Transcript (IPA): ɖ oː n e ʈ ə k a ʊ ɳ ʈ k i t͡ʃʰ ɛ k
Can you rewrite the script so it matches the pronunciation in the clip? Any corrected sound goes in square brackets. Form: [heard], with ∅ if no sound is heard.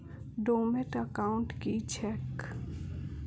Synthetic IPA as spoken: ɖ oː [m] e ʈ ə k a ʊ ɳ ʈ k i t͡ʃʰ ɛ k